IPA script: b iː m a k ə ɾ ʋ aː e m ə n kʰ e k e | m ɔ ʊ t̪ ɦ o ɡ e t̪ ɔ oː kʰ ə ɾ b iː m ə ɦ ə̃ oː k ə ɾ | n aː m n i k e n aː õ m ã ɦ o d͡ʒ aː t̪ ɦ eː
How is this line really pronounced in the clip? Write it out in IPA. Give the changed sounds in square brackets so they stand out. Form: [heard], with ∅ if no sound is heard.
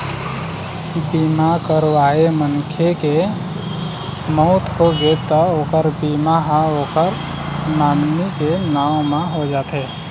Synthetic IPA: b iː m a k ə ɾ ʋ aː e m ə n kʰ e k e | m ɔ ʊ t̪ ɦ o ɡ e t̪ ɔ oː [k] ə ɾ b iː m [a] ɦ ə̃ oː k ə ɾ | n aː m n i k e n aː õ m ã ɦ o d͡ʒ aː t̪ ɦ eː